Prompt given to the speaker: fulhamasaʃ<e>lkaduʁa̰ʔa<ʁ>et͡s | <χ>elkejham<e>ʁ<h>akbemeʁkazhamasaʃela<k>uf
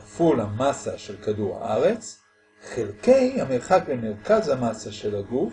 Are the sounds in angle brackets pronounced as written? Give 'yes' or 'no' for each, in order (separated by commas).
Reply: yes, yes, yes, yes, no, no